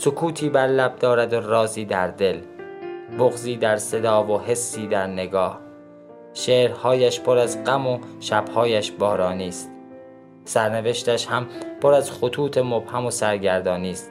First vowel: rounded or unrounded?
rounded